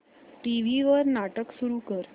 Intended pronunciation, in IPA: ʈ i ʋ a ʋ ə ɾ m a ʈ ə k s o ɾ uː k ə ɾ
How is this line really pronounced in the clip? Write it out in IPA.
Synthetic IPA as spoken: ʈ i ʋ i ʋ ə ɾ n a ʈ ə k s u ɾ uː k ə ɾ